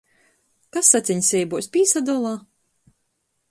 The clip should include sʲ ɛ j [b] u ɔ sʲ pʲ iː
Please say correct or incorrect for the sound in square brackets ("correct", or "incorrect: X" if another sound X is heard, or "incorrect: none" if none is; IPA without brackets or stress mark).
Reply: correct